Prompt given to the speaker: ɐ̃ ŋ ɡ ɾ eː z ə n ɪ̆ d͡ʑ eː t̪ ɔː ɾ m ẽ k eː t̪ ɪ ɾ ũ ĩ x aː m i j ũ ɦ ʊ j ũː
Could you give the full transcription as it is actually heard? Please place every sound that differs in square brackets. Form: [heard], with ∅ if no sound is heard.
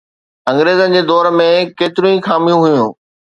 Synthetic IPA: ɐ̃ ŋ ɡ ɾ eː z ə n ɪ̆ d͡ʑ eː [d̪] ɔː ɾ m ẽ k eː t̪ ɪ ɾ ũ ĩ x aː m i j ũ ɦ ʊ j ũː